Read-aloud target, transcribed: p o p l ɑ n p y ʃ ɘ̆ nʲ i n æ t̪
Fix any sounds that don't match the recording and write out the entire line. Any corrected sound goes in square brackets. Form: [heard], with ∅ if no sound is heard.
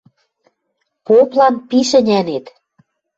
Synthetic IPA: p o p l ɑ n p [i] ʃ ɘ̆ nʲ [æ] n [e] t̪